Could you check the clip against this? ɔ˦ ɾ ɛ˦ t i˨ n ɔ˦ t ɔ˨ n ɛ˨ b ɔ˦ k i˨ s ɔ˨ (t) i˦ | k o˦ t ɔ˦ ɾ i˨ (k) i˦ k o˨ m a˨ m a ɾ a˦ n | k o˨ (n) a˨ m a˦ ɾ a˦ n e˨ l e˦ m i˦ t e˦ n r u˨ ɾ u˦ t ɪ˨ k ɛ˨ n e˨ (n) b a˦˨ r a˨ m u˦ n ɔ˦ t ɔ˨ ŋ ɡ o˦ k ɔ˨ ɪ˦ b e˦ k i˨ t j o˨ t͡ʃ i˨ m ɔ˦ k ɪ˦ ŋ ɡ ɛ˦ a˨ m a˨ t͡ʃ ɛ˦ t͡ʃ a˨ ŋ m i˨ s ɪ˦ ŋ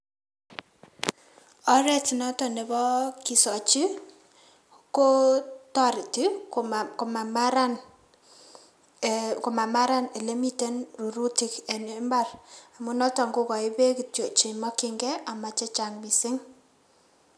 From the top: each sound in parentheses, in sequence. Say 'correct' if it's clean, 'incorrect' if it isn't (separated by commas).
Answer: incorrect, incorrect, incorrect, incorrect